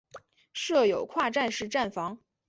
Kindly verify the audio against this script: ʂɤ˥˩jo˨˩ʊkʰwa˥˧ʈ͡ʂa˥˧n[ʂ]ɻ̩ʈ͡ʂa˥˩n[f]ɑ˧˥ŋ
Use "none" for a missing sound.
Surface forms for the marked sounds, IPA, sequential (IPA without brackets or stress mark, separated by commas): ʂ, f